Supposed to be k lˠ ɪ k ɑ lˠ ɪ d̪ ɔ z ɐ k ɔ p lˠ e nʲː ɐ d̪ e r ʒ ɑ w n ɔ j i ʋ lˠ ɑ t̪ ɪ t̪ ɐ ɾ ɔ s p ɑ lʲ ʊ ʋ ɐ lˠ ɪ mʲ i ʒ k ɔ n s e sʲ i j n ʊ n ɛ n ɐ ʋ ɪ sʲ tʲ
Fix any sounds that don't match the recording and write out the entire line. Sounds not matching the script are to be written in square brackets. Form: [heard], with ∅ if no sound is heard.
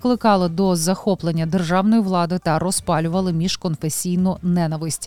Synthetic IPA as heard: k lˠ ɪ k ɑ lˠ ɪ d̪ ɔ z ɐ [x] ɔ p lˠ e nʲː ɐ d̪ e r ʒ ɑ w n ɔ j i ʋ lˠ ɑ [d̪] ɪ t̪ ɐ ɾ ɔ s p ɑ lʲ ʊ ʋ ɐ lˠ ɪ mʲ i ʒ k ɔ n [f] e sʲ i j n ʊ n ɛ n ɐ ʋ ɪ sʲ tʲ